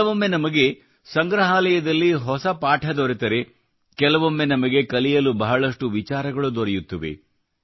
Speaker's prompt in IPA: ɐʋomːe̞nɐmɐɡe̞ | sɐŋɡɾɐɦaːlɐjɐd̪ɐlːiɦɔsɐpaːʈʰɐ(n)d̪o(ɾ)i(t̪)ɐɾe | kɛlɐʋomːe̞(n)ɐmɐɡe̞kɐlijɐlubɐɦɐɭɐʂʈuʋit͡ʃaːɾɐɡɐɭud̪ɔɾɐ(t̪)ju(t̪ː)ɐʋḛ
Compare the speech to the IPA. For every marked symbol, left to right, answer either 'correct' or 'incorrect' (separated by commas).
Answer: incorrect, correct, correct, correct, incorrect, correct